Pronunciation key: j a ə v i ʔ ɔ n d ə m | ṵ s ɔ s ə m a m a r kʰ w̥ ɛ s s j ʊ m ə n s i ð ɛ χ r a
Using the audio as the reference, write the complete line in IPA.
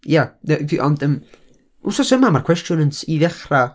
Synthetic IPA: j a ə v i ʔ ɔ n d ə m | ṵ s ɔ s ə m a m a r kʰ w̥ ɛ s t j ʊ n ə n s i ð ɛ χ r a